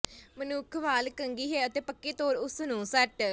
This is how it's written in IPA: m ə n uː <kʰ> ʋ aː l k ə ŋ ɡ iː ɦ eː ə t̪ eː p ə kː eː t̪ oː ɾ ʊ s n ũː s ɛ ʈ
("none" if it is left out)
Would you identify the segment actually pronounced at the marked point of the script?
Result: kʰ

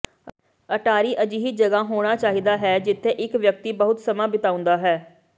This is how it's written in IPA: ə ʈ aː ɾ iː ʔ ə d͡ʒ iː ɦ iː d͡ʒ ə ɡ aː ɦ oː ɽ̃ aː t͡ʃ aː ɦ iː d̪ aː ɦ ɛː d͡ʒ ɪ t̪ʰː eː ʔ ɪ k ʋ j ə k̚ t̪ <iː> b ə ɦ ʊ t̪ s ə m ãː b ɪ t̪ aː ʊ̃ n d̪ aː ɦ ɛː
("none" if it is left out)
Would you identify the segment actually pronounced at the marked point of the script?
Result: iː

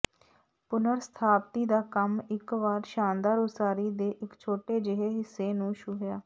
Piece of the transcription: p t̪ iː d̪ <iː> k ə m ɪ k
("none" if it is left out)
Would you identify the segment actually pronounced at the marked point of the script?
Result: aː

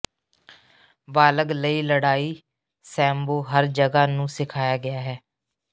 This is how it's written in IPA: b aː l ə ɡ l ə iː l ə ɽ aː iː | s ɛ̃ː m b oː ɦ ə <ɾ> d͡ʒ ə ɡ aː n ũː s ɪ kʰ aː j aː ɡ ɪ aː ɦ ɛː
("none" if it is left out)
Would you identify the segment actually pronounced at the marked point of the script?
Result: ɾ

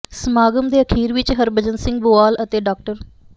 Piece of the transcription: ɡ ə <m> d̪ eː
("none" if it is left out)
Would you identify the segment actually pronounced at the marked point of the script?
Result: m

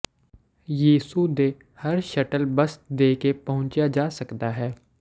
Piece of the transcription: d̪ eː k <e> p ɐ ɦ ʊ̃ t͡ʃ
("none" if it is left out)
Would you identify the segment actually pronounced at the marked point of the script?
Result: e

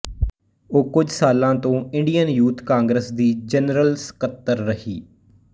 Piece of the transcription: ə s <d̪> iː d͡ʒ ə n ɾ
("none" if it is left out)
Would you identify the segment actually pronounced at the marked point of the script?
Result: d̪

